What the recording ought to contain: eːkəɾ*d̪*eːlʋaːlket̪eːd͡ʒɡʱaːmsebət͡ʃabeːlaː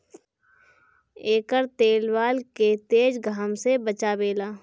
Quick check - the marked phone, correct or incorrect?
incorrect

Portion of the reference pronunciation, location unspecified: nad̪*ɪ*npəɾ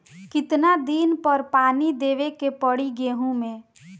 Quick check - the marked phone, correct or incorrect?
incorrect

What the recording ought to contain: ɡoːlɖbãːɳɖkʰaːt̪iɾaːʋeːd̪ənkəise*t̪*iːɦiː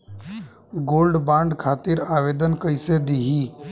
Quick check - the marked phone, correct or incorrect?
incorrect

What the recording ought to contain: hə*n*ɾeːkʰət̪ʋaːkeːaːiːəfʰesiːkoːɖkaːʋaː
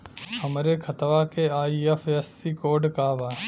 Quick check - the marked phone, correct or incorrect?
incorrect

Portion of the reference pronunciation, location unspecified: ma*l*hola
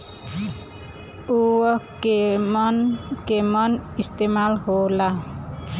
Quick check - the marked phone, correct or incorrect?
correct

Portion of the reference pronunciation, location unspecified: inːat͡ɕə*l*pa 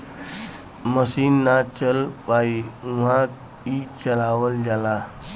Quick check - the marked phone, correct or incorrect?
correct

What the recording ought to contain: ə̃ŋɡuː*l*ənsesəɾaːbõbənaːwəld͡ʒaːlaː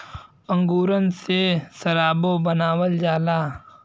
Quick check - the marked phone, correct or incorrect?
incorrect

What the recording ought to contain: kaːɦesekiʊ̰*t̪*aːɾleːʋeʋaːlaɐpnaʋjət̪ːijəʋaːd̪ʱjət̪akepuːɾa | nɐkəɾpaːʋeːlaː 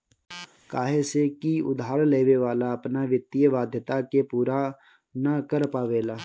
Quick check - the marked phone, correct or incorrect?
incorrect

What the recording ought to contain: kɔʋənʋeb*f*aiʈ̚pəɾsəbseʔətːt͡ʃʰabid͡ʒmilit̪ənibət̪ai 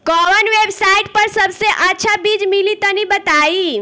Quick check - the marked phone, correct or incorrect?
incorrect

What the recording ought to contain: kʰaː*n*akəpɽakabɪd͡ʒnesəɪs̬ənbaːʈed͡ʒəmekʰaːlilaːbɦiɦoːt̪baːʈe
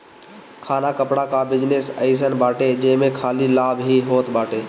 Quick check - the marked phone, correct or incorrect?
correct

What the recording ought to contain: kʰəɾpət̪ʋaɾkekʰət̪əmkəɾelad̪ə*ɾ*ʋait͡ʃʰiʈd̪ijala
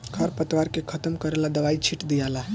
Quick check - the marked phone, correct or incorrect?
incorrect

